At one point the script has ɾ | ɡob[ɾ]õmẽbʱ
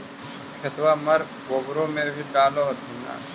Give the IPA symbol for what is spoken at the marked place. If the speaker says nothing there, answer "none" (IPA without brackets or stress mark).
ɾ